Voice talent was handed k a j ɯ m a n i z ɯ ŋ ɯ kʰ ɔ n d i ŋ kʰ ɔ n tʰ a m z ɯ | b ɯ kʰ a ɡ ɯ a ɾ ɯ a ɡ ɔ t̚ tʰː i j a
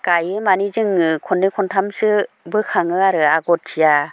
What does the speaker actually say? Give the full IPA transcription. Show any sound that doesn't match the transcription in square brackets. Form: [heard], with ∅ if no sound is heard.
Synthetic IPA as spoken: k a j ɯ m a n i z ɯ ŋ ɯ kʰ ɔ n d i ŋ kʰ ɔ n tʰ a m [s] ɯ | b ɯ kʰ a [ŋ] ɯ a ɾ ɯ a ɡ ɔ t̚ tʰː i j a